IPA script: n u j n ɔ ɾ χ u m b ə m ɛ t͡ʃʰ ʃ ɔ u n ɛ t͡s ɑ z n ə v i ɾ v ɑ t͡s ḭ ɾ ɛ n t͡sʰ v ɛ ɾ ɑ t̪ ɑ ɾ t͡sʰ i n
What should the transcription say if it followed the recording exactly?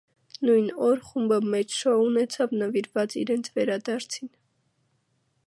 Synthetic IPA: n u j n ɔ ɾ χ u m b ə m ɛ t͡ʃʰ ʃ ɔ u n ɛ t͡sʰ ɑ v n ə v i ɾ v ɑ t͡s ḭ ɾ ɛ n t͡sʰ v ɛ ɾ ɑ d̪ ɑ ɾ t͡sʰ i n